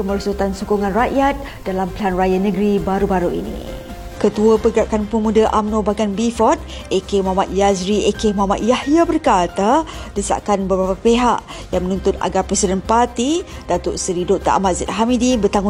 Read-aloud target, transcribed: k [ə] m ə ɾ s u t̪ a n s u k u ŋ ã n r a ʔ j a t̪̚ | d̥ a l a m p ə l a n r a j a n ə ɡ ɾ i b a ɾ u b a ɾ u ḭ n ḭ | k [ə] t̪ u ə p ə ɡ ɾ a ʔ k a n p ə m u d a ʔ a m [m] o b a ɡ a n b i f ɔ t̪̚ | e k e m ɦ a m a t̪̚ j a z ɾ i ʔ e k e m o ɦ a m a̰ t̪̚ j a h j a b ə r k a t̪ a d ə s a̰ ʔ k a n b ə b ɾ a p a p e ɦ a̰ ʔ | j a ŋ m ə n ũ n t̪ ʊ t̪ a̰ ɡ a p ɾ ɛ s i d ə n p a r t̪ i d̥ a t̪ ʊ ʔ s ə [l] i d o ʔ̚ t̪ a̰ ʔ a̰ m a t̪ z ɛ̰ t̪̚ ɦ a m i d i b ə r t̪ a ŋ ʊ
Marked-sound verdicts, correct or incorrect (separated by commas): correct, correct, incorrect, incorrect